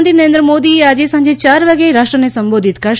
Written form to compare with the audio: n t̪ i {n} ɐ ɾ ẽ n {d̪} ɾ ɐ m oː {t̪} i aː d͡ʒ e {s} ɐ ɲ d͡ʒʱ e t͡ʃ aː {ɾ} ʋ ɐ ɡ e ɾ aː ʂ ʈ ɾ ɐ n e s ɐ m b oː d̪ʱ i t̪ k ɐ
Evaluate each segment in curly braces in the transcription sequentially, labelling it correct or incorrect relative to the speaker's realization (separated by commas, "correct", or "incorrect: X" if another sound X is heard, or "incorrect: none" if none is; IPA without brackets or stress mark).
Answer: correct, correct, incorrect: d̪, correct, correct